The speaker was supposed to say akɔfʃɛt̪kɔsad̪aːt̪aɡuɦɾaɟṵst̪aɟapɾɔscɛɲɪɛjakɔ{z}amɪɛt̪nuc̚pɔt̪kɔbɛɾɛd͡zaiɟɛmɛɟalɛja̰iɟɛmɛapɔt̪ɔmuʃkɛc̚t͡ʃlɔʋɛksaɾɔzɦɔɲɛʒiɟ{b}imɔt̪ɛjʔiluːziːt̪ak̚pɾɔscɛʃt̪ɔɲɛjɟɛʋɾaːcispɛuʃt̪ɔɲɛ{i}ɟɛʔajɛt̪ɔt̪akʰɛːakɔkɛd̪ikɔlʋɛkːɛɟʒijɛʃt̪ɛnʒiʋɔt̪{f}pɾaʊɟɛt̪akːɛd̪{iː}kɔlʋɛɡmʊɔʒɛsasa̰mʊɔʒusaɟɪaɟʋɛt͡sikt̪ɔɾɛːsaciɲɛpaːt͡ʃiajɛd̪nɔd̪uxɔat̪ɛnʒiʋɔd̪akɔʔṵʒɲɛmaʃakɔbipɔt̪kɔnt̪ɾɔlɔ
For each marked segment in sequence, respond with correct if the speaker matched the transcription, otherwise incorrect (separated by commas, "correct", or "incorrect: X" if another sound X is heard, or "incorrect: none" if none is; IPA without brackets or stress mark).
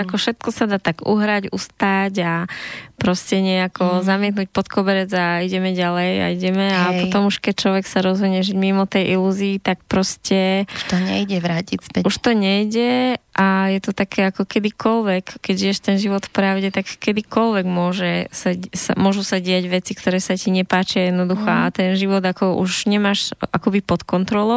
correct, incorrect: m, incorrect: j, correct, incorrect: i